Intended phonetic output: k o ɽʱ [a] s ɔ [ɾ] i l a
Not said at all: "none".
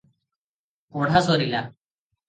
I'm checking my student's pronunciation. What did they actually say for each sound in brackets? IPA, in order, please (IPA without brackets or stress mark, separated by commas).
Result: a, ɾ